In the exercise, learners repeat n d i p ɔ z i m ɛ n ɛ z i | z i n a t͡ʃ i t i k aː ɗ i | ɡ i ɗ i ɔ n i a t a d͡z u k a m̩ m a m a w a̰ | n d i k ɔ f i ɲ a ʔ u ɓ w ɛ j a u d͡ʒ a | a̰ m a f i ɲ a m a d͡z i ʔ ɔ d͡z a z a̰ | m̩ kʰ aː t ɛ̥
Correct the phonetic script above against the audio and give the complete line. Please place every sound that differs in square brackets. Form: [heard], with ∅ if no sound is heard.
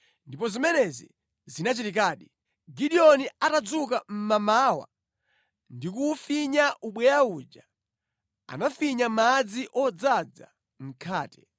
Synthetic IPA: n d i p ɔ z i m ɛ n ɛ z i | z i n a t͡ʃ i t i k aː ɗ i | ɡ i ɗ i ɔ n i a t a d͡z u k a m̩ m a m a w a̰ | n d i k [u] f i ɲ a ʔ u ɓ w ɛ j a u d͡ʒ a | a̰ [n] a f i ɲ a m a d͡z i ʔ ɔ d͡z a [d͡z] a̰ | m̩ kʰ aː t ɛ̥